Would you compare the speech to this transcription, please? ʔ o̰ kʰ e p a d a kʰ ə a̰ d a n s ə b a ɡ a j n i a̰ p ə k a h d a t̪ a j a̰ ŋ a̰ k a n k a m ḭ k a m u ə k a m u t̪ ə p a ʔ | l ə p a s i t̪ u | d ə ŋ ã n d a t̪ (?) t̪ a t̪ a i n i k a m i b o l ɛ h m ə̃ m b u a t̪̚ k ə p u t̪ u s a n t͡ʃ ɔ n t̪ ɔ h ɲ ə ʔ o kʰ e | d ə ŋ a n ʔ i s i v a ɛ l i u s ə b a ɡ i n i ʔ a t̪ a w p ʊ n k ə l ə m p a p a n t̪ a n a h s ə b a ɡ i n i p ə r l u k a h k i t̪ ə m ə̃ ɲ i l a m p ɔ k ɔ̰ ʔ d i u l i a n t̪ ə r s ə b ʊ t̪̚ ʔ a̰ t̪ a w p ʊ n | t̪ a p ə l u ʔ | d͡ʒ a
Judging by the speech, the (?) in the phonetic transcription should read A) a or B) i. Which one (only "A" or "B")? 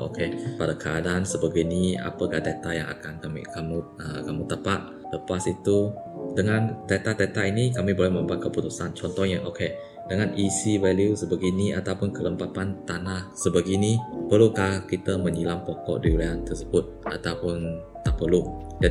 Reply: A